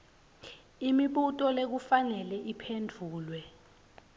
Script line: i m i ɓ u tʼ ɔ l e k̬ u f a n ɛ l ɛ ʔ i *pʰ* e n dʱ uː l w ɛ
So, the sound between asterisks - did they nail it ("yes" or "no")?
yes